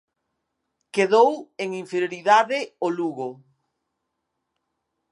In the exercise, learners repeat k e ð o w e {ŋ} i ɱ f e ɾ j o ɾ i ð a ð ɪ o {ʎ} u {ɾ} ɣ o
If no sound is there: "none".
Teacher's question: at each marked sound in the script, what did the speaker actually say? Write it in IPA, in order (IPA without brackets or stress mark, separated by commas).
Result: ŋ, l, none